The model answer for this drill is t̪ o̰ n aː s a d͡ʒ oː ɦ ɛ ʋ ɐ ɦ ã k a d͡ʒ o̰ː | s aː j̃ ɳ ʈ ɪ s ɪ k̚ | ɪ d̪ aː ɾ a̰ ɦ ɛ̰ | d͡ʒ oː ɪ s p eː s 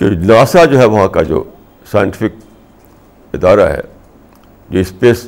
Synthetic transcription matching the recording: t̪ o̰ n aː s a d͡ʒ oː ɦ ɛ ʋ ɐ ɦ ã k a d͡ʒ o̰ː | s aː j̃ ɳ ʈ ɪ f ɪ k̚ | ɪ d̪ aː ɾ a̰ ɦ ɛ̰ | d͡ʒ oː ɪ s p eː s